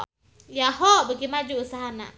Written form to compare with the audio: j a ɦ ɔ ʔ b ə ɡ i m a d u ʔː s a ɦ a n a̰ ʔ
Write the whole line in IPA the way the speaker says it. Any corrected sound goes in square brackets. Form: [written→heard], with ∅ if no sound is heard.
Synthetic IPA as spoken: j a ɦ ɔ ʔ b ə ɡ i m a [d→d͡ʒ] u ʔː s a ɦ a n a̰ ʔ